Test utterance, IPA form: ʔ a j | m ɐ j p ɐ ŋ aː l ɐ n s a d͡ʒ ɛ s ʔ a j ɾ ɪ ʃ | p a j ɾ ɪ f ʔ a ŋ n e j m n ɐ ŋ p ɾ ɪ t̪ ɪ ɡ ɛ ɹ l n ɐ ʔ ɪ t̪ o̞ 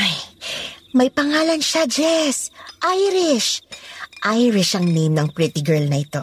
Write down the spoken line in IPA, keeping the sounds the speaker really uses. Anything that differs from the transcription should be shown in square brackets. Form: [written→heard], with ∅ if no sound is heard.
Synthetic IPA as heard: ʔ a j | m ɐ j p ɐ ŋ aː l ɐ n [s→ʃ] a d͡ʒ ɛ s ʔ a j ɾ ɪ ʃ | [p→ʔ] a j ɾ ɪ [f→ʃ] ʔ [a→ɐ] ŋ n e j m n ɐ ŋ p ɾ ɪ t̪ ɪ ɡ ɛ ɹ l n ɐ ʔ ɪ t̪ o̞